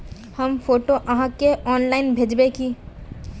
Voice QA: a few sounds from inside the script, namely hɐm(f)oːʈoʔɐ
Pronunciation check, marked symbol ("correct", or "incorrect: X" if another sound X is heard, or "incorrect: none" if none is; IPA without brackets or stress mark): correct